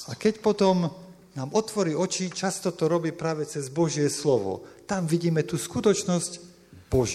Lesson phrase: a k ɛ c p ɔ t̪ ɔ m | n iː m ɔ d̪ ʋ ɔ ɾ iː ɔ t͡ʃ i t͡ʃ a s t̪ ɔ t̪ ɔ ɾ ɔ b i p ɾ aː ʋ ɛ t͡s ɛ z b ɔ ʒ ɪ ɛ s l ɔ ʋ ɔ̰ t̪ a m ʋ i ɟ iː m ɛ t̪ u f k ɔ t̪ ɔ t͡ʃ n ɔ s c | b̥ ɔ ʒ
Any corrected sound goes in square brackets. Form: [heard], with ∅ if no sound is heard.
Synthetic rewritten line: a k ɛ c p ɔ t̪ ɔ m | n [aː] m ɔ [t̪] ʋ ɔ ɾ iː ɔ t͡ʃ i t͡ʃ a s t̪ ɔ t̪ ɔ ɾ ɔ b [iː] p ɾ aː ʋ ɛ t͡s ɛ z b ɔ ʒ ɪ ɛ s l ɔ ʋ ɔ̰ t̪ a m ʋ i ɟ iː m ɛ t̪ u [s] k [u] t̪ ɔ t͡ʃ n ɔ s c | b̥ ɔ ʒ